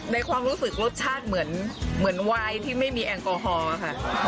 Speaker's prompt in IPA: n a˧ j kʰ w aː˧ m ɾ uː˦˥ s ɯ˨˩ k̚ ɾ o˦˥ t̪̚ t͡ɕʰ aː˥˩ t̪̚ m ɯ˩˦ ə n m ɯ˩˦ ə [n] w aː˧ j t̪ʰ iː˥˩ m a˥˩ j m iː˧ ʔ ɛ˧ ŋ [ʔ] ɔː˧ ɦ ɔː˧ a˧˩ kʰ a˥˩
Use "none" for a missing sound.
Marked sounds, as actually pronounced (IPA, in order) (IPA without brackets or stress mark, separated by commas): n, k